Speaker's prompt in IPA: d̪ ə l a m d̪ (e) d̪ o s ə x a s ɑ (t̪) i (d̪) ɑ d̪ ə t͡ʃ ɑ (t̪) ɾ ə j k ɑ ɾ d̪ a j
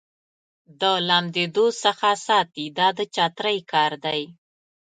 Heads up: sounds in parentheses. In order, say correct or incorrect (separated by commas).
correct, correct, correct, correct